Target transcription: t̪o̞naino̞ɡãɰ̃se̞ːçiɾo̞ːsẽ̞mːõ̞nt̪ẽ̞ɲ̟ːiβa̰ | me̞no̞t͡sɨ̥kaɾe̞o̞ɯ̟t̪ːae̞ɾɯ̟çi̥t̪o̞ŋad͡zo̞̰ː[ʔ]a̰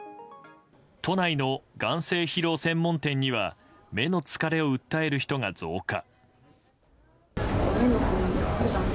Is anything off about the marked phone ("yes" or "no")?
yes